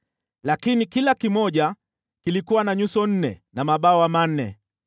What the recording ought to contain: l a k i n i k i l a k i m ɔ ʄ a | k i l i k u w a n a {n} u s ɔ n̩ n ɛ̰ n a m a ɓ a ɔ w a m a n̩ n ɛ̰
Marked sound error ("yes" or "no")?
yes